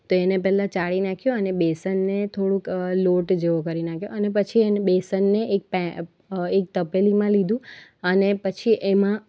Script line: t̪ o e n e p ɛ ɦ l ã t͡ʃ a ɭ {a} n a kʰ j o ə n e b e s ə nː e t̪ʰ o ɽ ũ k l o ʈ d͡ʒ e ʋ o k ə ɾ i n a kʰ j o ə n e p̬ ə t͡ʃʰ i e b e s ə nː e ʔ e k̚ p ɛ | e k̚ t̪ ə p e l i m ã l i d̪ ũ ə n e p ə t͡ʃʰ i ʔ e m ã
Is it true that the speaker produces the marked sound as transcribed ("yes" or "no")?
no